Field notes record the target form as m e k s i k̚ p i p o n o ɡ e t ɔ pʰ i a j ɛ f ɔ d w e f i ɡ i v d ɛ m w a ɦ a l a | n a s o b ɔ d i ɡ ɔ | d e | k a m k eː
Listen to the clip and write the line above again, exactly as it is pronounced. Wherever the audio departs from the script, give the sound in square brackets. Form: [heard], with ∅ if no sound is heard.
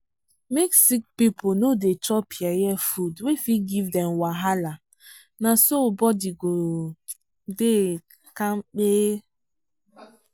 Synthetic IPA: m e k s i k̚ p i p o n o [d] e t ɔ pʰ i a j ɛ f [u] d w e f i ɡ i v d ɛ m w a ɦ a l a | n a s o b ɔ d i ɡ [o] | d e | k a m [k͡p] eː